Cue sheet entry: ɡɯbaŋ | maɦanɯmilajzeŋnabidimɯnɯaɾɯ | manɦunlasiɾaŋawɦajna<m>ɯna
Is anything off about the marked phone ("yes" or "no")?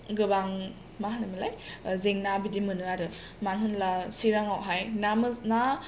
no